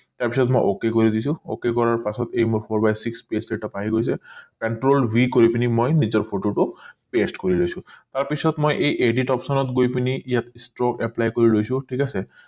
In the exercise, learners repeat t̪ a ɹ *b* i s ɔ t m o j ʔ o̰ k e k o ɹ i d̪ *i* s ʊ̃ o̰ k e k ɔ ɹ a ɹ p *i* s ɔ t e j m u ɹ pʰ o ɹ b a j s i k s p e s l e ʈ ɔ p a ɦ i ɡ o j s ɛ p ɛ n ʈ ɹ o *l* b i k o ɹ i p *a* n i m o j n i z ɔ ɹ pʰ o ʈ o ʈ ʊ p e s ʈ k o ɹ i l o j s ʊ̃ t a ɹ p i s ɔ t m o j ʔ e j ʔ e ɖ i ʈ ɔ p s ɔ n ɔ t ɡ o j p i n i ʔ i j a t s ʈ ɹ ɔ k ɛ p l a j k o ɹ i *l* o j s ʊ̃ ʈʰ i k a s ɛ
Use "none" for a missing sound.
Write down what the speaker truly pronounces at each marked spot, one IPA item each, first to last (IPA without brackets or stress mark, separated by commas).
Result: p, i, a, l, i, l